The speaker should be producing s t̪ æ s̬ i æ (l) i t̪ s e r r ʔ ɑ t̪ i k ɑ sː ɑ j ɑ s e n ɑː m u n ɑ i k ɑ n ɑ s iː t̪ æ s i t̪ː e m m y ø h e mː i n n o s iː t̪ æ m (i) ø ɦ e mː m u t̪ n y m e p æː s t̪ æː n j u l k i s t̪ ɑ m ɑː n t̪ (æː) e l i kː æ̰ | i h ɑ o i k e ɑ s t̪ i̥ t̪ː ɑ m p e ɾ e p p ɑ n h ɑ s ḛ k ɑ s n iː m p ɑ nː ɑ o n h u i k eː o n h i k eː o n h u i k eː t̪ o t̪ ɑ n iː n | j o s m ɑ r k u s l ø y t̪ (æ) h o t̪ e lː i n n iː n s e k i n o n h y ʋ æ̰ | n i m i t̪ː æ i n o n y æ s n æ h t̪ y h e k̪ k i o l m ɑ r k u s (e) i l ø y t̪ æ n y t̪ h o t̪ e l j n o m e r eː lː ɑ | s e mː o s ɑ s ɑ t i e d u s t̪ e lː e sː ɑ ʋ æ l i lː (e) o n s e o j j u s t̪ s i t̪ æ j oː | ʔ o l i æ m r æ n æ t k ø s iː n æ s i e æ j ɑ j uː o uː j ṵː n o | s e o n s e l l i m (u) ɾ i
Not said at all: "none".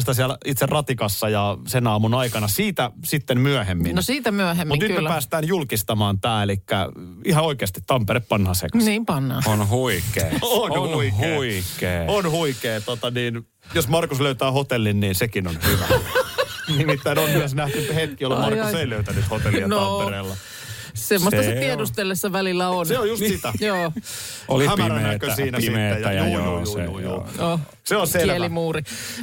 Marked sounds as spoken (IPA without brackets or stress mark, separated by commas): l, y, æː, æː, e, æ, uː